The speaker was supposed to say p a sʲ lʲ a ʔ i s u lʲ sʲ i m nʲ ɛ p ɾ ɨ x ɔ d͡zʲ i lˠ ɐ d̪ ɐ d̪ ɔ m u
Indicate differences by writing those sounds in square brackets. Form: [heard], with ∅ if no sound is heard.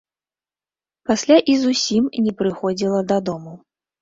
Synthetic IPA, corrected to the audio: p a sʲ lʲ a ʔ i [z] u [∅] sʲ i m nʲ ɛ p ɾ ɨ x ɔ d͡zʲ i lˠ ɐ d̪ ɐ d̪ ɔ m u